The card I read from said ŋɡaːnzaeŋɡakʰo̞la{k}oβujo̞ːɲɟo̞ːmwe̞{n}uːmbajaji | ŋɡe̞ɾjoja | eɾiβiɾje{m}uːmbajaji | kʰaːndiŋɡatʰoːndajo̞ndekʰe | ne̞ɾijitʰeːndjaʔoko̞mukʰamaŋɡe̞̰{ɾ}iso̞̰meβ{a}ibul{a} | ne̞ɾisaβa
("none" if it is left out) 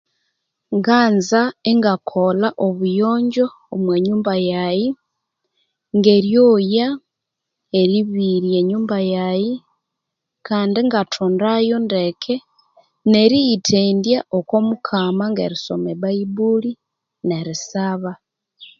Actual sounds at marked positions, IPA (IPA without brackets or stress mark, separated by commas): ʔ, ɲ, ɲ, ɾ, a, i